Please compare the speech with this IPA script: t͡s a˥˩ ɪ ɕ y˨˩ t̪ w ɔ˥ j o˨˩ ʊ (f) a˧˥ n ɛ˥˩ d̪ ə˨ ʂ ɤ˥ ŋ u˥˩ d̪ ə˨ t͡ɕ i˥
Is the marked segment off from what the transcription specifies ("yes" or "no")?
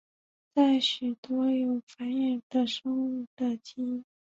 no